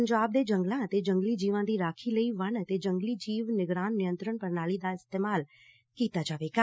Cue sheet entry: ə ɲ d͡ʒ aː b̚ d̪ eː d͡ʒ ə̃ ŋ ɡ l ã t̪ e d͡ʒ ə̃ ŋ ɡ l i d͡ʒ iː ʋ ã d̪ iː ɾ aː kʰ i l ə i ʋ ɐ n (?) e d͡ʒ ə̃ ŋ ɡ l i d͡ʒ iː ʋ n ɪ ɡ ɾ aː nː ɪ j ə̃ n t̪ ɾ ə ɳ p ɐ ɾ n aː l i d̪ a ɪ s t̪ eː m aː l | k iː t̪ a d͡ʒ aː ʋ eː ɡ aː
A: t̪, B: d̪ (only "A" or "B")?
A